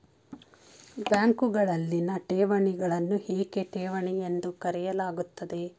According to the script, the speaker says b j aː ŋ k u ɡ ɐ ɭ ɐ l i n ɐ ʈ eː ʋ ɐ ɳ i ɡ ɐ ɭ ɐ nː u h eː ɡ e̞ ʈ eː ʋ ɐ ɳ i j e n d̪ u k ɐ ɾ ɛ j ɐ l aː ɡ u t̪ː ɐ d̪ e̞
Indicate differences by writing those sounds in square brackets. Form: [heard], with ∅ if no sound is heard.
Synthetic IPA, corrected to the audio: b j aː ŋ k u ɡ ɐ ɭ ɐ [lː] i n ɐ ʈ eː ʋ ɐ ɳ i ɡ ɐ ɭ ɐ nː u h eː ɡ e̞ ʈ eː ʋ ɐ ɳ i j e n d̪ u k ɐ ɾ ɛ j ɐ l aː ɡ u t̪ː ɐ d̪ e̞